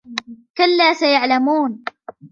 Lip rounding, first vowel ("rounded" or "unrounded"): unrounded